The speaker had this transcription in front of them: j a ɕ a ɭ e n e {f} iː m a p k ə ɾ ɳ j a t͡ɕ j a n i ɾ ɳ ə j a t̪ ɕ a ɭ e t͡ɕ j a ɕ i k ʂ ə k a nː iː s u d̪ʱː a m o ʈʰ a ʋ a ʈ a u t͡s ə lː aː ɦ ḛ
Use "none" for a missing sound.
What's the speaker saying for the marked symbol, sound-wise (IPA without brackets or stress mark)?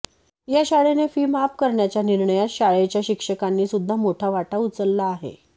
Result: f